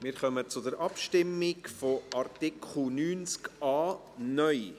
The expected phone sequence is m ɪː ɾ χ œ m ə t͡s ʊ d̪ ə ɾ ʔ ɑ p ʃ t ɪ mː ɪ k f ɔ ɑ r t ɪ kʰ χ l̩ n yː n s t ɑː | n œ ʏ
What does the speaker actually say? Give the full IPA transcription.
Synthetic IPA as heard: m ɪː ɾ χ œ m ə t͡s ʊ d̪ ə ɾ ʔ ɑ p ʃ t ɪ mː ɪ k f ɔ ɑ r t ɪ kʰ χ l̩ n yː n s k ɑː | n œ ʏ